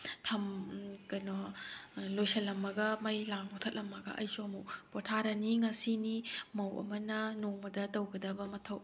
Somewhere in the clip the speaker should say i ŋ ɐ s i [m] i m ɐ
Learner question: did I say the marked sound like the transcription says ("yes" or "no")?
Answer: no